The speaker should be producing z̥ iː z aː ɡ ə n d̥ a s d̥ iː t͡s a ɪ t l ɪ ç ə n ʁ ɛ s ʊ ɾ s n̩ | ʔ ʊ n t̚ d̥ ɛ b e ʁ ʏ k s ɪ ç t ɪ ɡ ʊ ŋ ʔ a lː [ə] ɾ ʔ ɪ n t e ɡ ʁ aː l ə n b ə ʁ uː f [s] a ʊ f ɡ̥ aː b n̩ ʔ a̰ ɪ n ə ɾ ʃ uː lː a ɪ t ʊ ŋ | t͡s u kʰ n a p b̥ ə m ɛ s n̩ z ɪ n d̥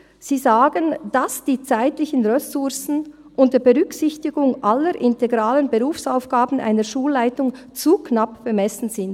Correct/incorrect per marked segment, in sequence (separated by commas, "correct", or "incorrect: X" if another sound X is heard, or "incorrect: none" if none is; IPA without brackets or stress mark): correct, correct